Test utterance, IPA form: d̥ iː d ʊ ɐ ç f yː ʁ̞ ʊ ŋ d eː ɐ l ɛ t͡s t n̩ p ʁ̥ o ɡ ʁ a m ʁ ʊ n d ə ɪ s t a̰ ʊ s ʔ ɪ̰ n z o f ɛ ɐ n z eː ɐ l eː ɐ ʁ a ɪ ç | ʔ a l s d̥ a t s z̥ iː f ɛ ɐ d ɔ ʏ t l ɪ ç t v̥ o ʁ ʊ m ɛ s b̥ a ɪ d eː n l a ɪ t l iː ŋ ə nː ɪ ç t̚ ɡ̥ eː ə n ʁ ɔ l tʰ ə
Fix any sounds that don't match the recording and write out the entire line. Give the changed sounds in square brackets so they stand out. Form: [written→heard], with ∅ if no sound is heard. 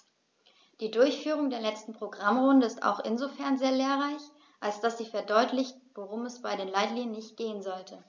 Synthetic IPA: d̥ iː d ʊ ɐ ç f yː ʁ̞ ʊ ŋ d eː ɐ l ɛ t͡s t n̩ p ʁ̥ o ɡ ʁ a m ʁ ʊ n d ə ɪ s t a̰ ʊ [s→x] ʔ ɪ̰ n z o f ɛ ɐ n z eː ɐ l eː ɐ ʁ a ɪ ç | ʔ a l s d̥ a [t→∅] s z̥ iː f ɛ ɐ d ɔ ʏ t l ɪ ç t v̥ o ʁ ʊ m ɛ s b̥ a ɪ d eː n l a ɪ t l iː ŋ ə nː ɪ ç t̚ ɡ̥ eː ə n [ʁ→z] ɔ l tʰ ə